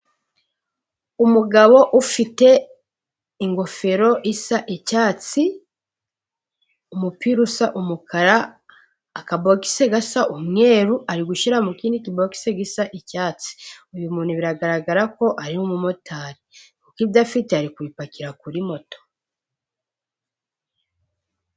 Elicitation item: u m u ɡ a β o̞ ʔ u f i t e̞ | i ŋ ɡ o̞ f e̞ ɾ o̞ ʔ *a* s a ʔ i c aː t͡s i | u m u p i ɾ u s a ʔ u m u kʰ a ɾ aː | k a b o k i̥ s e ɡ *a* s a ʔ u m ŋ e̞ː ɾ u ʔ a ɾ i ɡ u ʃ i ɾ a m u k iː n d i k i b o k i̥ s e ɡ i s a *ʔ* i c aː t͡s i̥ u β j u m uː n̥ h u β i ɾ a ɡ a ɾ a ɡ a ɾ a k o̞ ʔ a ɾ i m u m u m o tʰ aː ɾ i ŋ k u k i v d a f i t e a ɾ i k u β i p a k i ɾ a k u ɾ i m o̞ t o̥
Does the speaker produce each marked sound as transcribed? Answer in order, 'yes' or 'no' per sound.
no, yes, yes

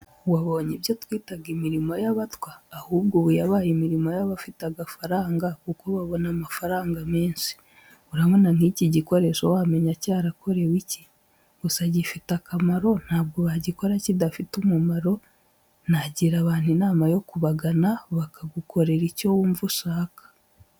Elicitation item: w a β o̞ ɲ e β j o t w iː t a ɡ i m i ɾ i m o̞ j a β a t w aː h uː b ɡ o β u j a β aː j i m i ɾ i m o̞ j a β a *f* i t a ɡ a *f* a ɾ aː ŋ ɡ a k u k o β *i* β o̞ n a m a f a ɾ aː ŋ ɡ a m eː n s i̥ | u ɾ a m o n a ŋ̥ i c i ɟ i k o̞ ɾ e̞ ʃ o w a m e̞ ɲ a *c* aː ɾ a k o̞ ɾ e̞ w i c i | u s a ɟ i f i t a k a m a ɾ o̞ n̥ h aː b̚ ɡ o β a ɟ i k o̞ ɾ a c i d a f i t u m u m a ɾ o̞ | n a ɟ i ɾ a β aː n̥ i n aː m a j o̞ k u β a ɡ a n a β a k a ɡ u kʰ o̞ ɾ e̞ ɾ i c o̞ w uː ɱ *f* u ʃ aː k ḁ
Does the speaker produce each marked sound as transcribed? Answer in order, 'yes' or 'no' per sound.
yes, yes, no, yes, no

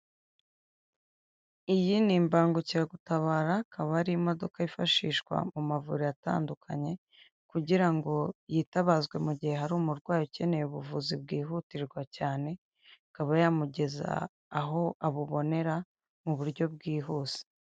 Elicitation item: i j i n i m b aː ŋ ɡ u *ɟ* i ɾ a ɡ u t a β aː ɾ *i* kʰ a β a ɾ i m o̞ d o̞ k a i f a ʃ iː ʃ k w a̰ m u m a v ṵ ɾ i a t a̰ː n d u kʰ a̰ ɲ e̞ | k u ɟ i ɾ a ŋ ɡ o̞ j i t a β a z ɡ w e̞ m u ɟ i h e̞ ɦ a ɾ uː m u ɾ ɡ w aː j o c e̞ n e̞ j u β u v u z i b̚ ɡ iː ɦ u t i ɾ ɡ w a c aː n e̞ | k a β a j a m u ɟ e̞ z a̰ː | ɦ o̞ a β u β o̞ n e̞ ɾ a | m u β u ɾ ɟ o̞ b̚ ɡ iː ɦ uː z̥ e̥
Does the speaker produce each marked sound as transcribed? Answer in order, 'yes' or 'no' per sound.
no, no

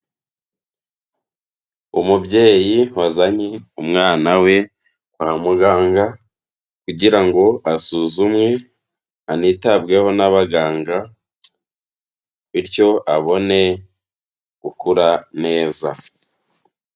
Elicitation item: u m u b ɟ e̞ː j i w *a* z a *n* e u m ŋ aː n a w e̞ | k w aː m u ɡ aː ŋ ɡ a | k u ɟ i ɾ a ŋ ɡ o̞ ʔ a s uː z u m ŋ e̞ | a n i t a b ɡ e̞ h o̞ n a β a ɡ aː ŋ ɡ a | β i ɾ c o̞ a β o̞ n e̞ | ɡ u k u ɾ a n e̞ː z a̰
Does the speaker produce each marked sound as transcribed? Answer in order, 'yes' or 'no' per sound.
yes, no

